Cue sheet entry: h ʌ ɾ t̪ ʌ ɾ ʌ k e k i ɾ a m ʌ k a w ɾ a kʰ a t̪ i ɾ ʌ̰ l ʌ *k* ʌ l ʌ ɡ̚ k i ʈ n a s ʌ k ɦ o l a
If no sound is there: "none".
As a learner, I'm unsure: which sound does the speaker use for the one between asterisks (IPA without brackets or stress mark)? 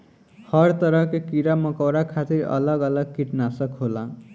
ɡ